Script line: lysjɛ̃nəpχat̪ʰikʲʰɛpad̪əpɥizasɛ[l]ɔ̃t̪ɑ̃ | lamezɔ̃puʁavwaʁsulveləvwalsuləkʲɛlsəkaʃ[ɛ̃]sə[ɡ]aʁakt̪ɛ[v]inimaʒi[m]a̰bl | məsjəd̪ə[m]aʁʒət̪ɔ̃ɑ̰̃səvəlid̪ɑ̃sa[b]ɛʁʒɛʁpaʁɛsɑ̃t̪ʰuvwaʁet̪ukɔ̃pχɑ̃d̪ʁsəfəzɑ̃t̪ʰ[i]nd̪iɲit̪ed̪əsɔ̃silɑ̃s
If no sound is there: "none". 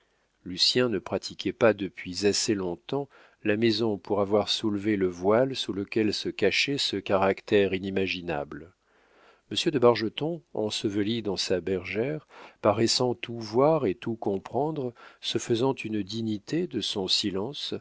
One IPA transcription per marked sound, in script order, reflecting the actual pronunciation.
l, ɛ, k, ʁ, n, b, b, y

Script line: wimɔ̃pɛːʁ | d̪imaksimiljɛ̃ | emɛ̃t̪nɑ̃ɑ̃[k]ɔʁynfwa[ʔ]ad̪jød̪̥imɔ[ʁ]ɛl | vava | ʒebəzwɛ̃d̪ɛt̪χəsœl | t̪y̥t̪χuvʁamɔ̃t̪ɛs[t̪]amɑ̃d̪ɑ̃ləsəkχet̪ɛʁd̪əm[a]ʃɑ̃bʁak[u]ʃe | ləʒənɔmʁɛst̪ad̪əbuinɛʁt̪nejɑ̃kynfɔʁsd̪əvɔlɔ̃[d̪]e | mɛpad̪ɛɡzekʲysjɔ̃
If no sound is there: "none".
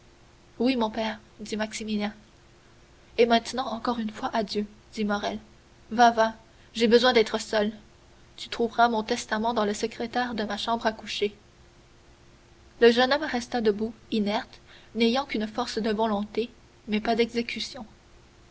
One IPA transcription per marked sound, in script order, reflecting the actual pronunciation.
k, ʔ, ʁ, t̪, a, u, t̪

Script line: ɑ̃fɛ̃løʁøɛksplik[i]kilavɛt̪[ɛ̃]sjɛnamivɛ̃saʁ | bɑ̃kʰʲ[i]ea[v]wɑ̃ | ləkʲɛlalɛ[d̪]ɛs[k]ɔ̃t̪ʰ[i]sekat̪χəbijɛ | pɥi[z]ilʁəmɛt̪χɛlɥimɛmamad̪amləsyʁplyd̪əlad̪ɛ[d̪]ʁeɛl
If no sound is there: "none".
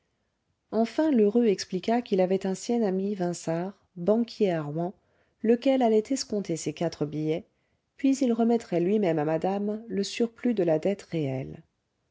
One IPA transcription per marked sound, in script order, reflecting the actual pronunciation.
a, ɛ̃, j, ʁ, t̪, k, e, z, t̪

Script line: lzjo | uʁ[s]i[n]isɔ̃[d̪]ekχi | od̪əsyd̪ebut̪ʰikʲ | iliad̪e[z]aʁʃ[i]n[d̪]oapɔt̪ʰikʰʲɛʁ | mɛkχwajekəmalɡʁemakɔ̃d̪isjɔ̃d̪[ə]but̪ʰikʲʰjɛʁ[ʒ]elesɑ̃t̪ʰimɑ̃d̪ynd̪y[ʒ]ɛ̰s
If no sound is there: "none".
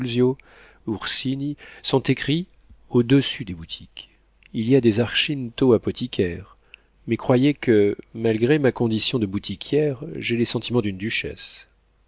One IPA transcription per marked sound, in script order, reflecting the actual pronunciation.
s, n, t̪, z, i, t̪, ə, ʒ, ʃ

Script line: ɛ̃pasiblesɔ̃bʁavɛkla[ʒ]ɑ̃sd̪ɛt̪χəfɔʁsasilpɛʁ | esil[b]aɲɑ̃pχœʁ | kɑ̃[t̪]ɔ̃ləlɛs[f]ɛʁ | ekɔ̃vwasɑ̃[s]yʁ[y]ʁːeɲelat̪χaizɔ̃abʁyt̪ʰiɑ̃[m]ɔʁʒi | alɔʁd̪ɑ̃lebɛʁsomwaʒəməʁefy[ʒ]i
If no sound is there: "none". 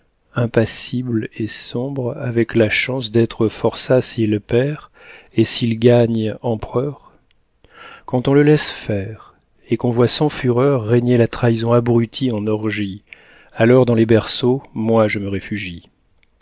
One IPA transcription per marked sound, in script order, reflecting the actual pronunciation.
ʃ, ɡ, t̪, f, f, œ, n, ʒ

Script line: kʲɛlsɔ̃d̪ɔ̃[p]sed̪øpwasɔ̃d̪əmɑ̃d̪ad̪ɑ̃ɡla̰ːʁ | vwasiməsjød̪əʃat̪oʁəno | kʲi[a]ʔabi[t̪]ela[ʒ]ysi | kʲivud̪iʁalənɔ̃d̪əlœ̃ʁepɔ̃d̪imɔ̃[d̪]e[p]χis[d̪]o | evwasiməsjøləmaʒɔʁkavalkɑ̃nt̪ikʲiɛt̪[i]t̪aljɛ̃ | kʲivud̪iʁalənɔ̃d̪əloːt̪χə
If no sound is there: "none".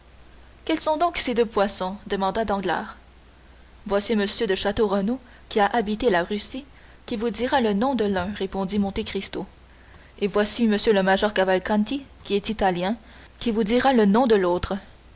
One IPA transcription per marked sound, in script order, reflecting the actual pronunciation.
k, a, t̪, ʁ, t̪, k, t̪, i

